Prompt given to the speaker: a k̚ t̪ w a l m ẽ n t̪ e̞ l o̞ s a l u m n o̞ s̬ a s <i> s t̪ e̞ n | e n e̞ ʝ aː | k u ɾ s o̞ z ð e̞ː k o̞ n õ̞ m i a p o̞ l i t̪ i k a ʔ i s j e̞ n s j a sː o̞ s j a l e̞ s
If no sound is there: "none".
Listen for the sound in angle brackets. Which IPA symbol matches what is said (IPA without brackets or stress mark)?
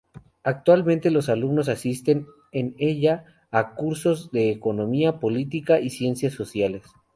i